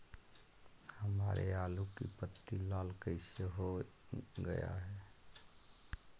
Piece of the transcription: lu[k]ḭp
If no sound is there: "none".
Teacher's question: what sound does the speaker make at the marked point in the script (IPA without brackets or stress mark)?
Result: k